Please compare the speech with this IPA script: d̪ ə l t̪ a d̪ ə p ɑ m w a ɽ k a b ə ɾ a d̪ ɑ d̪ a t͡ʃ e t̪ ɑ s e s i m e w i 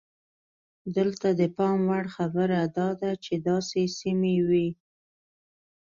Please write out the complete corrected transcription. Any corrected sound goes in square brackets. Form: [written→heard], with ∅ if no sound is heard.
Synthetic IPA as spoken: d̪ ə l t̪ a d̪ ə p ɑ m w a ɽ [k→x] a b ə ɾ a d̪ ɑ d̪ a t͡ʃ e [t̪→d̪] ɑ s e s i m e w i